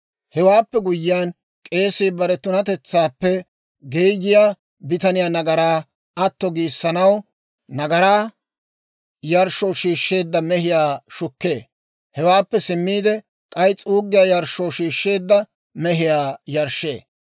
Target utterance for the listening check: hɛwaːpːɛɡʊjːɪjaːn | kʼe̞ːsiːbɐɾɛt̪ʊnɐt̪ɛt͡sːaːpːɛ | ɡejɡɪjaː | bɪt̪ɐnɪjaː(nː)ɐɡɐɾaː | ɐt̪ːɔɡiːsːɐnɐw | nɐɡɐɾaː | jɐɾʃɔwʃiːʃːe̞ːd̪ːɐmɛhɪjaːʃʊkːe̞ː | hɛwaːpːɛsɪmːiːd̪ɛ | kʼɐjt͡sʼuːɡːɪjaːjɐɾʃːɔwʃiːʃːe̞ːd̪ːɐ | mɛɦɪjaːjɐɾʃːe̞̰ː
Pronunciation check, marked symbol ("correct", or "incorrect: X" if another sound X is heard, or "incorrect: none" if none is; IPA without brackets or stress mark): incorrect: n